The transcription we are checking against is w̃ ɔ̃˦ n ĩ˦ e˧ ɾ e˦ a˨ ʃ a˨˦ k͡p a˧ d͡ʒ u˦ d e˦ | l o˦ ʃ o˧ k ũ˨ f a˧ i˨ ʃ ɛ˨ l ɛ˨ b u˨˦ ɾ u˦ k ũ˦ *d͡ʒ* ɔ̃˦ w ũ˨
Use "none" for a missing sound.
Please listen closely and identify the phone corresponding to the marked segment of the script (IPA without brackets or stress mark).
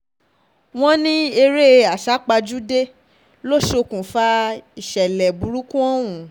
none